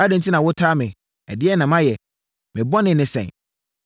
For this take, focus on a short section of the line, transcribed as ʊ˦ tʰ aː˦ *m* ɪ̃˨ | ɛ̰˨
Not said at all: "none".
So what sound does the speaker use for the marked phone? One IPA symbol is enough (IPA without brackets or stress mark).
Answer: m